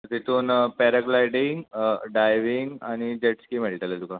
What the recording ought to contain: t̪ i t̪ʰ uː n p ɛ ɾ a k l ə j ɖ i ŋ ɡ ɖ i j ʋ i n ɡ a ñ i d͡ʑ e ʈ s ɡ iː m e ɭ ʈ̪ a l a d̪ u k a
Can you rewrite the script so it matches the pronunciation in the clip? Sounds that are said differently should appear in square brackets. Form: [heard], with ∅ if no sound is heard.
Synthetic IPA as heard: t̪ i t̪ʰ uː n p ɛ ɾ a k l [a] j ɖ i ŋ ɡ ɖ [a] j ʋ i [ŋ] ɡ a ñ i d͡ʑ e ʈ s [k] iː m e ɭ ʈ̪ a l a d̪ u k a